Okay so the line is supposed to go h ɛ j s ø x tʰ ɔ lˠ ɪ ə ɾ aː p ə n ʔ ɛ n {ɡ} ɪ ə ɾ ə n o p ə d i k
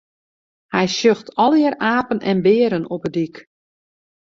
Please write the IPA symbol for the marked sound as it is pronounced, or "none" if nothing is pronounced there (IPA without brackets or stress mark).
b